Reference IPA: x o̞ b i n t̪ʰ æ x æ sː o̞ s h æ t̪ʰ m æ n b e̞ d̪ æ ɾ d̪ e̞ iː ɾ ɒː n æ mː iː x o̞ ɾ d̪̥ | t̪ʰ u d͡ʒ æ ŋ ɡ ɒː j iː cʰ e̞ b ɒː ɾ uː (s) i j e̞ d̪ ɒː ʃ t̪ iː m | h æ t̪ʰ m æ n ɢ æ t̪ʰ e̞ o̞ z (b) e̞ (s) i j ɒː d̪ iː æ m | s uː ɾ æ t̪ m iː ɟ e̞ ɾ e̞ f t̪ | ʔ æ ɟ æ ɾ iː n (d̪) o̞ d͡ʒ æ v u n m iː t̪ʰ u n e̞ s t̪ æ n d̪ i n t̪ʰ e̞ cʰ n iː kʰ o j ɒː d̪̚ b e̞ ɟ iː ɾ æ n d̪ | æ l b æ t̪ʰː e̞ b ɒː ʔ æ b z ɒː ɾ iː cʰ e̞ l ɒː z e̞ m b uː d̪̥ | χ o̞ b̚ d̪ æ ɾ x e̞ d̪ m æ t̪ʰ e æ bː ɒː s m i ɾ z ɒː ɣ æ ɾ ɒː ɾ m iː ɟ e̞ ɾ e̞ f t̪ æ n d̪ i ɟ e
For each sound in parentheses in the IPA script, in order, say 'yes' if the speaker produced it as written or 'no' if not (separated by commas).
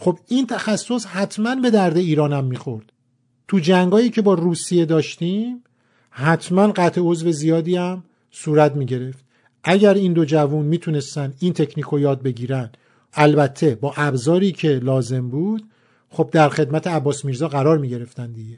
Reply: yes, no, no, yes